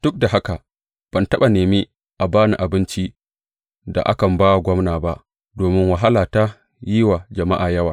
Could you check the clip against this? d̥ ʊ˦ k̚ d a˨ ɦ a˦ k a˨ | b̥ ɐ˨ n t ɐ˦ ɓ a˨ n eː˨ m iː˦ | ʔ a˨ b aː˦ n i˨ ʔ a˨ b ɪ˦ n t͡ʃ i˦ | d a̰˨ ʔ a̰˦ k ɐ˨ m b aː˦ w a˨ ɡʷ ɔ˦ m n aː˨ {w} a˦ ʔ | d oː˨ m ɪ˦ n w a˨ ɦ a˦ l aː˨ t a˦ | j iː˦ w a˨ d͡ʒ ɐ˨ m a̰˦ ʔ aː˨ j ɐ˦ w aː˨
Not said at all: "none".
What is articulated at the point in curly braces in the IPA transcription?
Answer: b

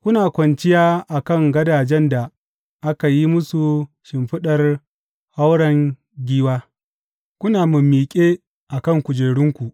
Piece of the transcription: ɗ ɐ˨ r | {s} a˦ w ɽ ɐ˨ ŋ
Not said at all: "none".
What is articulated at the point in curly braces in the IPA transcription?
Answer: h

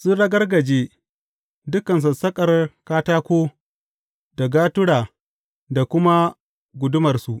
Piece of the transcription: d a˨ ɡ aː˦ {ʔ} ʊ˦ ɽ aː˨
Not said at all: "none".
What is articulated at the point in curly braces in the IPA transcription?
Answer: t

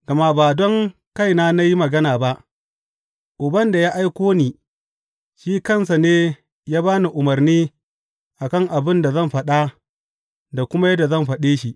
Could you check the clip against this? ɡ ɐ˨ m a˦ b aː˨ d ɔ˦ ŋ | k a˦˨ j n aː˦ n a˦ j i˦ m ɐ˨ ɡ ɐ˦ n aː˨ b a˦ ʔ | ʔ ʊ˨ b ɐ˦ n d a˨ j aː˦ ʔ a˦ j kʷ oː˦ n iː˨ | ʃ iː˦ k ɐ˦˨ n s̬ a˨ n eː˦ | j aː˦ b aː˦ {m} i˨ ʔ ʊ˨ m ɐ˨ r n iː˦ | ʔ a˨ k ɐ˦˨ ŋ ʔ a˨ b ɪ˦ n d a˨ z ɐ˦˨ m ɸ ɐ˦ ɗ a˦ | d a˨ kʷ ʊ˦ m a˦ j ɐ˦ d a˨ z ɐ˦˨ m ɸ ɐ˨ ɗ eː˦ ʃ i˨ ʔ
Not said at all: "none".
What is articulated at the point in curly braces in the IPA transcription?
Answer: n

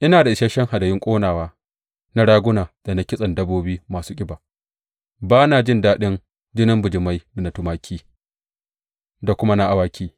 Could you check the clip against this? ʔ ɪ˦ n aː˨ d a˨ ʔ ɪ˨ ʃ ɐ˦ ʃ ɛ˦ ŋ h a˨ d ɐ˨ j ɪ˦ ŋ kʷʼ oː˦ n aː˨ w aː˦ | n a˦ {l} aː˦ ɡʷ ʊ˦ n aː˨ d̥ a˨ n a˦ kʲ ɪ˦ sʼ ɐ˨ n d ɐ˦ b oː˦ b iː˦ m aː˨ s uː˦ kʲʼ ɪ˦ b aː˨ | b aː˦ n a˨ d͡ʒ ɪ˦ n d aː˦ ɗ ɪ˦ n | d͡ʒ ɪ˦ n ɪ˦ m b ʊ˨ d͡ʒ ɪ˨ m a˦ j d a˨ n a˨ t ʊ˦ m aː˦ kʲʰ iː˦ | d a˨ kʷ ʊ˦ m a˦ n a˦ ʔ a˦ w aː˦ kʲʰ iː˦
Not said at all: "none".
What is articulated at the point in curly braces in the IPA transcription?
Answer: ɽ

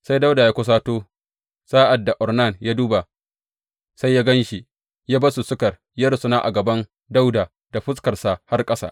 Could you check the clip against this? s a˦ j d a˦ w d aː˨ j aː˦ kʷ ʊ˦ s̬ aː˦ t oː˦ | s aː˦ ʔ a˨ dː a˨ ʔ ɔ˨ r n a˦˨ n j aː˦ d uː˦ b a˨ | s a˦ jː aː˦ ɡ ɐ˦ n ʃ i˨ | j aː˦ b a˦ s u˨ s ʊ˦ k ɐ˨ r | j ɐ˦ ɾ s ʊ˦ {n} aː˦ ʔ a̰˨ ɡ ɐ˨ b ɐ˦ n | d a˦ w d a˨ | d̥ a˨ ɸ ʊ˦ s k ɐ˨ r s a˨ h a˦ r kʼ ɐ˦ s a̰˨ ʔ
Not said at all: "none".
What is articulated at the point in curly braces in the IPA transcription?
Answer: n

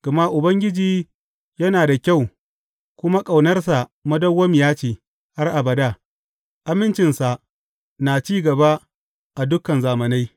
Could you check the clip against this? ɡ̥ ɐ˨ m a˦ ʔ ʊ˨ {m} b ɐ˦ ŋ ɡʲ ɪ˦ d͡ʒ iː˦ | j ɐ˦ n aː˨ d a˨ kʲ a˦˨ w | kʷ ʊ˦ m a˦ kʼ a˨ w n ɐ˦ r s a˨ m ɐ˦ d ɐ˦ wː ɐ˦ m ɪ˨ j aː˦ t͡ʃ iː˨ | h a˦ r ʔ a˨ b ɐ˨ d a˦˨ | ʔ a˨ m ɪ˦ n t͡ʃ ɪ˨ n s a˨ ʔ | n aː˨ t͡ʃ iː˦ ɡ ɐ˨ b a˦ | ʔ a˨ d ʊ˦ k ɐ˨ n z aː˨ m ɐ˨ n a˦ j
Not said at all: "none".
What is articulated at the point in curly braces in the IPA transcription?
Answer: none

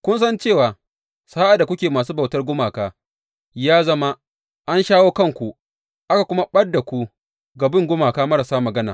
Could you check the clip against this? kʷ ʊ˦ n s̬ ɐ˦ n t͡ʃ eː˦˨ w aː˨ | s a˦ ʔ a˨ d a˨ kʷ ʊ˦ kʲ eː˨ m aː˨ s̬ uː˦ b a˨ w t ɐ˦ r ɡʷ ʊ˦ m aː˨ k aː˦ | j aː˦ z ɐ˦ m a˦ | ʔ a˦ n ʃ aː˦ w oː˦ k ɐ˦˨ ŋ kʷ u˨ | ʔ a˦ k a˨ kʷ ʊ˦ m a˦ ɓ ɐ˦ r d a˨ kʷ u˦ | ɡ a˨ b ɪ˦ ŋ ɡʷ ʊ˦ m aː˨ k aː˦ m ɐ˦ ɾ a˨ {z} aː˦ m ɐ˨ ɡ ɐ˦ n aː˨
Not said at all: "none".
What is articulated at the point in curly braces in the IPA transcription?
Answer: s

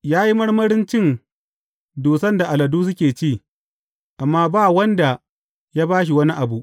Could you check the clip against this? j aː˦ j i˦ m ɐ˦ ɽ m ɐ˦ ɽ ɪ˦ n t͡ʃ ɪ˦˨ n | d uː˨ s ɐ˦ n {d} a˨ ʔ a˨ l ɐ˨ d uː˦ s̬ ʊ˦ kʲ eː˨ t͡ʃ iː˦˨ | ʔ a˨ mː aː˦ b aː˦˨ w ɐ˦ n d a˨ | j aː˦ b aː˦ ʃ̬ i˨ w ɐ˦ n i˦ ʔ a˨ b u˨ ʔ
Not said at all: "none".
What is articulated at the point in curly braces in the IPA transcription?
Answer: d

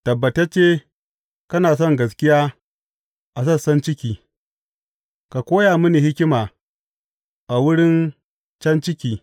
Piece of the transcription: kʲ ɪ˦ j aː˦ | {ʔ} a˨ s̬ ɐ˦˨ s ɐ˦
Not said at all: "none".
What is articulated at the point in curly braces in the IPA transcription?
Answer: ʔ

